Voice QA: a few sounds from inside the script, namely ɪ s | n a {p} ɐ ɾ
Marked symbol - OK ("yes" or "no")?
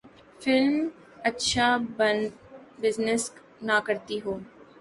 no